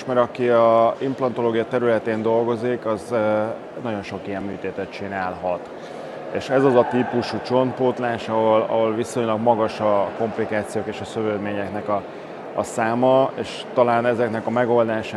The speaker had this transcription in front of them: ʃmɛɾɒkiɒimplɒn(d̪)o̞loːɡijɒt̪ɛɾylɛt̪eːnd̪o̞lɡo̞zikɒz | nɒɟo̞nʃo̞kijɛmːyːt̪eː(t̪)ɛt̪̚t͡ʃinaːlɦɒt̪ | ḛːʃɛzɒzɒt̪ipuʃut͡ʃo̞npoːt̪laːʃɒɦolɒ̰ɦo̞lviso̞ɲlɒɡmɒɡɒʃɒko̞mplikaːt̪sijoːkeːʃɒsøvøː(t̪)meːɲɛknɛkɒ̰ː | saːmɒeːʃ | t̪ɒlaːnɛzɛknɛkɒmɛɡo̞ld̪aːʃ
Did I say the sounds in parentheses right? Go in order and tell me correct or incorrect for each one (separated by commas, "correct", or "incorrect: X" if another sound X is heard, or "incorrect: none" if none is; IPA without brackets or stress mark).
incorrect: t̪, correct, incorrect: d̪